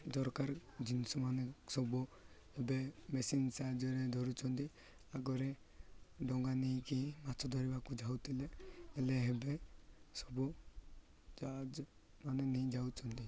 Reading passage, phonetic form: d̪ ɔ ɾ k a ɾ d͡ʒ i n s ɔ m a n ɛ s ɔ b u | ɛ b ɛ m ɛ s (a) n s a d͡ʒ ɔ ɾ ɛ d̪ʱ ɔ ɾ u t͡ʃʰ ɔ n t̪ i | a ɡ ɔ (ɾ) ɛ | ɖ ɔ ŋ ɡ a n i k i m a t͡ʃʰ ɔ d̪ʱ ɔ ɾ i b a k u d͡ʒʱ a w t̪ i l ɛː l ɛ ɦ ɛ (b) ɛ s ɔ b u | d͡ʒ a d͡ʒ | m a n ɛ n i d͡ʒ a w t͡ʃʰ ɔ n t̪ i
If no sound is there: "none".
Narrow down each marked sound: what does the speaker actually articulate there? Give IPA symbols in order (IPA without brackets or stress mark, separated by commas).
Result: i, ɾ, b